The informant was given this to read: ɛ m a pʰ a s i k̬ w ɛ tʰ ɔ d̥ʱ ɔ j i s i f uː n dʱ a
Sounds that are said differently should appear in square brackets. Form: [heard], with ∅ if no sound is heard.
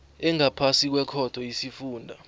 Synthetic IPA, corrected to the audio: ɛ [ŋ] a pʰ a s i k̬ w ɛ [kʰ] ɔ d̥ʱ ɔ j i s i f uː n dʱ a